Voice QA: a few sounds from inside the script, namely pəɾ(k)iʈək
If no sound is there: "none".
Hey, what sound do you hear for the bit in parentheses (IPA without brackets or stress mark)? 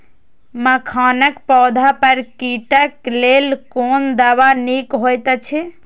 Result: k